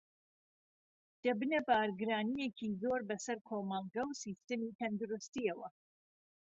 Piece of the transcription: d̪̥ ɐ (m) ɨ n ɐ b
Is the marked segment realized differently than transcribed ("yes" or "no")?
yes